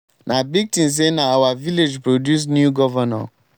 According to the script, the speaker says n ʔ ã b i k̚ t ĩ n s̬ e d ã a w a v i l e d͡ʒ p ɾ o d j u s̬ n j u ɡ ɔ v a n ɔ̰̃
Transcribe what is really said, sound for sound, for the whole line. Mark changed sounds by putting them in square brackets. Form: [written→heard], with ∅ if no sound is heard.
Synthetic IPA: n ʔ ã b i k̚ t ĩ n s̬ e [d→n] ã a w a v i l e d͡ʒ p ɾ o d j u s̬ n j u ɡ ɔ v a n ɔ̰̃